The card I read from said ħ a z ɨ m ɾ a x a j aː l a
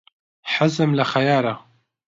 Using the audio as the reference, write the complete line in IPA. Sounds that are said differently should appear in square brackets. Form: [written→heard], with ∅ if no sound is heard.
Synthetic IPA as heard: ħ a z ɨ m [ɾ→l] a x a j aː [l→ɾ] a